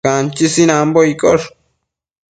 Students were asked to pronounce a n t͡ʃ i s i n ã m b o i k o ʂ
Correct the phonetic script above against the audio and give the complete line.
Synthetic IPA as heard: a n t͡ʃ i s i n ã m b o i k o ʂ